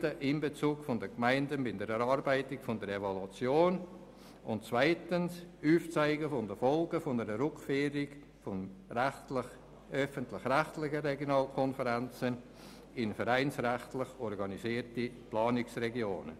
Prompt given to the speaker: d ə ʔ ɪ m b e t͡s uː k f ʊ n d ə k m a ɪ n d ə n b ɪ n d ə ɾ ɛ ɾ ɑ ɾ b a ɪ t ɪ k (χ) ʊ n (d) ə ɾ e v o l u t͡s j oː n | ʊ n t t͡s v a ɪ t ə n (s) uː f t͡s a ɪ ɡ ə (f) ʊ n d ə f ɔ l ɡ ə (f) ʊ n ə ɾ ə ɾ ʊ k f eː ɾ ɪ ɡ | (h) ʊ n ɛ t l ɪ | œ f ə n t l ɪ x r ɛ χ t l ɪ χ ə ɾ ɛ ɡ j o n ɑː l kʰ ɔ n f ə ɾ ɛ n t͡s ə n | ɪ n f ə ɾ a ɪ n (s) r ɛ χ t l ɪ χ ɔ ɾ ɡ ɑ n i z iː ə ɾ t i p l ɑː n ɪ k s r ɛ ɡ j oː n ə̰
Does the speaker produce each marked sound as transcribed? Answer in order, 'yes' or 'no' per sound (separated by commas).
no, yes, yes, yes, yes, no, yes